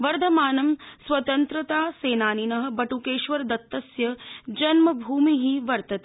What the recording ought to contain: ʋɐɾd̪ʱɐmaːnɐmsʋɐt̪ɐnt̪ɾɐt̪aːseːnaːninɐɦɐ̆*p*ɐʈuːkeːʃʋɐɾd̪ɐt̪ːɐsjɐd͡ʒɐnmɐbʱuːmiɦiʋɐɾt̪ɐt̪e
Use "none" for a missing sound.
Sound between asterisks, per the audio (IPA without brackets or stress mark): b